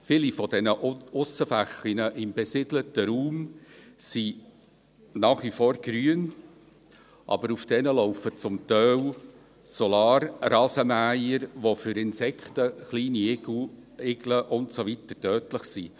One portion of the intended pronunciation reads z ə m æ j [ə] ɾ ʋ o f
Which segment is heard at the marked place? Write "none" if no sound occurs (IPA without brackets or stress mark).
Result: ə